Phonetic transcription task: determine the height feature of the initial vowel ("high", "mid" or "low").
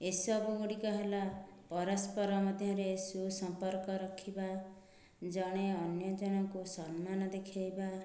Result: mid